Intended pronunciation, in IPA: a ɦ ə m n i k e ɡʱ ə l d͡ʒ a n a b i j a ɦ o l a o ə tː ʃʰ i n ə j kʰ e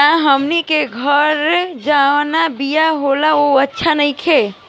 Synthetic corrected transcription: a ɦ ə m n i k e ɡʱ ə ɾ d͡ʒ a n a b i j a ɦ o l a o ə tː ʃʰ a n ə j kʰ e